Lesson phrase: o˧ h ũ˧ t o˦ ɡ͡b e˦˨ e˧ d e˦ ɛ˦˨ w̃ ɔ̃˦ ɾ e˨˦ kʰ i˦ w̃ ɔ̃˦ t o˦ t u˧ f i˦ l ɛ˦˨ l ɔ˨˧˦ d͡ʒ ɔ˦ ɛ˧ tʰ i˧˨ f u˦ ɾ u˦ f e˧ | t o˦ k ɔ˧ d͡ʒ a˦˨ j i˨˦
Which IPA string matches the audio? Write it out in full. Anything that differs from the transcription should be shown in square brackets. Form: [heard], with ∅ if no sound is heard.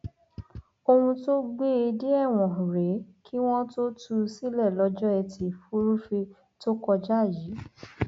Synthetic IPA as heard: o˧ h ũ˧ t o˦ ɡ͡b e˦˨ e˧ d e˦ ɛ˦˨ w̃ [ɔ̃˨] ɾ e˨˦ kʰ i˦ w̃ ɔ̃˦ t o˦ t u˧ [s] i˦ l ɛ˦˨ l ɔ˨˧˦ d͡ʒ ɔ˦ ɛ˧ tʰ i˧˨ f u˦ ɾ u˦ f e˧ | t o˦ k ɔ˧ d͡ʒ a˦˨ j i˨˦